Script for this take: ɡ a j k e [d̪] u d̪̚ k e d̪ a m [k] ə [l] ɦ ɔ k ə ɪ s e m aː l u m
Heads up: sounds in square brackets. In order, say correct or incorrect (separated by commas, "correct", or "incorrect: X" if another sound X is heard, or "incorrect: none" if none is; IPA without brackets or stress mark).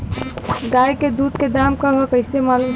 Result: correct, correct, incorrect: none